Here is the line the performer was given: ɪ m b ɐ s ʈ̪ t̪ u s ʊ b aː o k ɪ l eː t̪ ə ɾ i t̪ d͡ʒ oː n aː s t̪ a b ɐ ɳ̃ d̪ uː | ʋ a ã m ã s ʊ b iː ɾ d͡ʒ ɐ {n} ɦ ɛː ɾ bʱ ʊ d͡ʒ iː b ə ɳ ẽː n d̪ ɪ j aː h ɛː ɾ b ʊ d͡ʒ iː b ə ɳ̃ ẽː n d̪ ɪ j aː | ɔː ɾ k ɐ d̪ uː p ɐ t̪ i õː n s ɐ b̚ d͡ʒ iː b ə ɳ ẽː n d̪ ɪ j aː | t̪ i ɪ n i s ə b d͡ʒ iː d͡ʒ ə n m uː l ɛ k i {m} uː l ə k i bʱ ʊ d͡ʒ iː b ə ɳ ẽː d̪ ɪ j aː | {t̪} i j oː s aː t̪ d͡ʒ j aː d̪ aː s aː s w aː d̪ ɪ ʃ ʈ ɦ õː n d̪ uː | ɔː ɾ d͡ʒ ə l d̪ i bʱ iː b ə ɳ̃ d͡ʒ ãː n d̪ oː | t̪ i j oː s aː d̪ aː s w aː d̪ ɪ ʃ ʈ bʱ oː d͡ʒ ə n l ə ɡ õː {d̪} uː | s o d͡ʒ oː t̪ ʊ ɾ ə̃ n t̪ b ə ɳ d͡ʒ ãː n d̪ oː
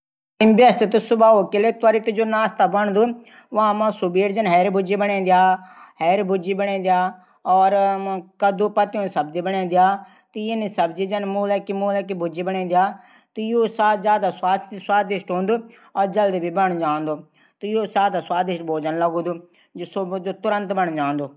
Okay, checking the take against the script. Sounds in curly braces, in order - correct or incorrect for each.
correct, correct, correct, correct

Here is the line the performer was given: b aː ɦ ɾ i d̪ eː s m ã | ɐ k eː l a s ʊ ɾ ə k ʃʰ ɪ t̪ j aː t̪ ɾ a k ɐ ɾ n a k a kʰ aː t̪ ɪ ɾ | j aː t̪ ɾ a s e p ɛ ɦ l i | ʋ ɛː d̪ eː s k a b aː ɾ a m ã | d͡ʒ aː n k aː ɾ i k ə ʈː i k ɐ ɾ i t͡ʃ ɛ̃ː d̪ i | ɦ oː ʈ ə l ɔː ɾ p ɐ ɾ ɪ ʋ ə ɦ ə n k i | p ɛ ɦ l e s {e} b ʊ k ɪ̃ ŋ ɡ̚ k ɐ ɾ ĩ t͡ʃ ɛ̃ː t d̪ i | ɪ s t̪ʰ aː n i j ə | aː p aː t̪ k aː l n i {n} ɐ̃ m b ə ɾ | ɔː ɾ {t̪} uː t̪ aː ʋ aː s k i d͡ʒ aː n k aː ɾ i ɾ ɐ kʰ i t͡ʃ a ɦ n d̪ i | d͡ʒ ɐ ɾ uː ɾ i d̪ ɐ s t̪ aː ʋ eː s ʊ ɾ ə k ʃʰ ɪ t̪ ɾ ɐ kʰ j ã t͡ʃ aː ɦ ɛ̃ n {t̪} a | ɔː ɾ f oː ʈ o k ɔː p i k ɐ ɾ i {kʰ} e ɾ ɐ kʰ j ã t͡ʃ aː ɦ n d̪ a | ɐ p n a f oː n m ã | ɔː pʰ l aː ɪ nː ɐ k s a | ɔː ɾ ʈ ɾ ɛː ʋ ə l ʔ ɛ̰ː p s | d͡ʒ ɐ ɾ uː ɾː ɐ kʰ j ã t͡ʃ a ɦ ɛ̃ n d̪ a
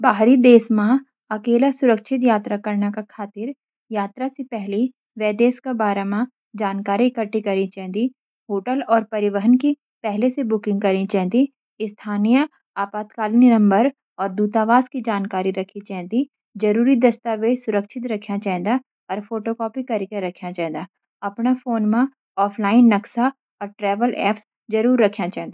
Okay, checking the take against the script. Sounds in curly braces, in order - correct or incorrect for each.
correct, correct, incorrect, incorrect, incorrect

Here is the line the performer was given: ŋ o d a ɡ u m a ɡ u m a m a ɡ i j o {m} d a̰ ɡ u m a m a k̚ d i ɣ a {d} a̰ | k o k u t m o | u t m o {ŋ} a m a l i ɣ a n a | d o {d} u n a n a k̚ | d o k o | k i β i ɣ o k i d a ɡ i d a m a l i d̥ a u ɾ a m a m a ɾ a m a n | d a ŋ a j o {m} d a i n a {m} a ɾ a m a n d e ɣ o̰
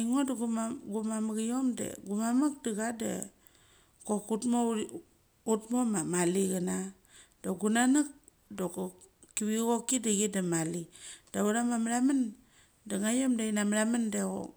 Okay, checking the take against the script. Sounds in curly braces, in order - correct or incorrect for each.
correct, correct, incorrect, incorrect, correct, correct

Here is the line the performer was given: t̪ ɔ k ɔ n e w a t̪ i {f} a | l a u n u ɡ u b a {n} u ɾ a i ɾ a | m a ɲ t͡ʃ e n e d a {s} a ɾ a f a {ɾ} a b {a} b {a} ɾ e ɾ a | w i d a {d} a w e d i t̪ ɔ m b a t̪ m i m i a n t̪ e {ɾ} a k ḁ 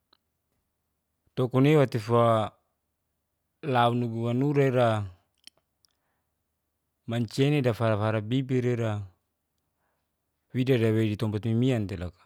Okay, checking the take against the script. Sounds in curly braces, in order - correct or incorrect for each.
correct, correct, incorrect, correct, incorrect, incorrect, correct, incorrect

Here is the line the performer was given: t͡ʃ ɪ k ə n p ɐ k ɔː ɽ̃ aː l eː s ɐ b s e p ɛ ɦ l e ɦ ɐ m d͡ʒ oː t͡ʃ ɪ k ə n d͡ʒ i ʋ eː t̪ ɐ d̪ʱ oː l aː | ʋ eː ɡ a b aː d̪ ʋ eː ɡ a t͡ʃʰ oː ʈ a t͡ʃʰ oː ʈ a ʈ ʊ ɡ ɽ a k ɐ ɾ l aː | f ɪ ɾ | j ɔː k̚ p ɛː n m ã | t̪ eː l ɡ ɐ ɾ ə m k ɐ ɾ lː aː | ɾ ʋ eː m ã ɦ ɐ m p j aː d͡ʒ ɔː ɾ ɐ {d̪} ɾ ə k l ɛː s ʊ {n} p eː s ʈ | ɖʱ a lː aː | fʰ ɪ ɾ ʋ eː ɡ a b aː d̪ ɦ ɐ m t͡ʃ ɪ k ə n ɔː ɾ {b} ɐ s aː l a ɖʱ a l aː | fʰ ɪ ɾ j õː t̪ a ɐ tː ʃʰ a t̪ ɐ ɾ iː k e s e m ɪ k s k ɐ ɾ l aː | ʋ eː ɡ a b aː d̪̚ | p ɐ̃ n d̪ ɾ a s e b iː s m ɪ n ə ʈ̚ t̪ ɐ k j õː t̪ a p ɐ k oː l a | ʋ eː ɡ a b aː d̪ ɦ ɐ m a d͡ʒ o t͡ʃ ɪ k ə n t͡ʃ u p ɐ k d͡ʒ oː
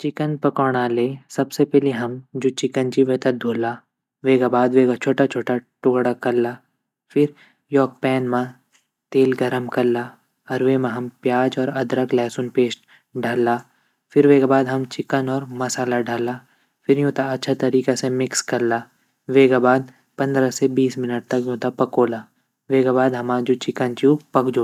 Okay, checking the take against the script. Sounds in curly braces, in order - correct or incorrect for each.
correct, correct, incorrect

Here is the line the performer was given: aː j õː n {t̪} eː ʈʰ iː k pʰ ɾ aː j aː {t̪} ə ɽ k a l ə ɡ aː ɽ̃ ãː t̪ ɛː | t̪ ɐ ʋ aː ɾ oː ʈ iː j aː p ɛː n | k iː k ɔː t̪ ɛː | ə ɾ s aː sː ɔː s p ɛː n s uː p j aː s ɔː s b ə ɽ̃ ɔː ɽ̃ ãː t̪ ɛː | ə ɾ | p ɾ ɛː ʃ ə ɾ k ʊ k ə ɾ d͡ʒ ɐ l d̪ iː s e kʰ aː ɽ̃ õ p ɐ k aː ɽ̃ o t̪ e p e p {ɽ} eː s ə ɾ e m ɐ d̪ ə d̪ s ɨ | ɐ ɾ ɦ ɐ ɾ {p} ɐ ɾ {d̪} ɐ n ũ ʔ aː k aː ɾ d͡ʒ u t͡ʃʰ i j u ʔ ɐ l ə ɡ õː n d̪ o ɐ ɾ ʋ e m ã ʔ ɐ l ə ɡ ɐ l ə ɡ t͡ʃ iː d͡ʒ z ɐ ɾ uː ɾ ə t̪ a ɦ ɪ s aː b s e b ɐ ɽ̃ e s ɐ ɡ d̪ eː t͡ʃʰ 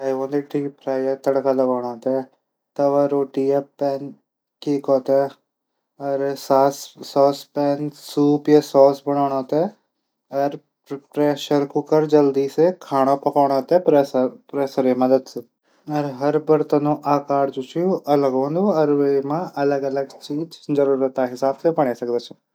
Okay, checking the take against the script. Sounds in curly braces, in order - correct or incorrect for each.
incorrect, correct, incorrect, incorrect, incorrect

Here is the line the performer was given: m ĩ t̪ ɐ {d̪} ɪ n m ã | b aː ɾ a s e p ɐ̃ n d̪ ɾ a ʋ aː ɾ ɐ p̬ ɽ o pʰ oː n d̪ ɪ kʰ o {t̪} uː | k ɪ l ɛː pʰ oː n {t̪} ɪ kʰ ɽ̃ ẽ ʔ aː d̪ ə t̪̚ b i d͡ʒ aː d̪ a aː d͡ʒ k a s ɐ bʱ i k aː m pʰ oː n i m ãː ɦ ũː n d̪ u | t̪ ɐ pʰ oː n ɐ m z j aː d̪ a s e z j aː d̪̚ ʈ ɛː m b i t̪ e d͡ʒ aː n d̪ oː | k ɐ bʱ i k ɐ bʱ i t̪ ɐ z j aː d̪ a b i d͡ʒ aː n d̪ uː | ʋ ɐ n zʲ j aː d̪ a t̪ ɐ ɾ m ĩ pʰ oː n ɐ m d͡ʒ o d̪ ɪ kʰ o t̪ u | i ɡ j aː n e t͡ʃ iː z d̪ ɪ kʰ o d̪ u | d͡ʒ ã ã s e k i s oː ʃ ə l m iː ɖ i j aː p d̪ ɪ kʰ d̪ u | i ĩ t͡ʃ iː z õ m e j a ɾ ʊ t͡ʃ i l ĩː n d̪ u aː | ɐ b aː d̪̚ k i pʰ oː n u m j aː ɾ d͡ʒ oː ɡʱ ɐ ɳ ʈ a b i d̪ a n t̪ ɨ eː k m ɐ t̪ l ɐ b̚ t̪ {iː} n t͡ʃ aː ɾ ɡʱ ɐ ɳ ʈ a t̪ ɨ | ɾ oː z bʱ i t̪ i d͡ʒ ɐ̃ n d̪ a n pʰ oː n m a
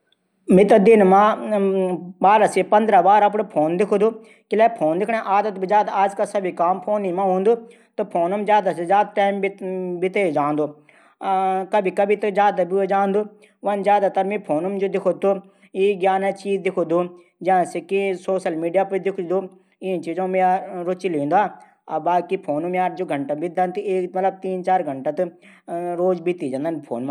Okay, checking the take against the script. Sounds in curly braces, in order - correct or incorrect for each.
correct, incorrect, incorrect, correct

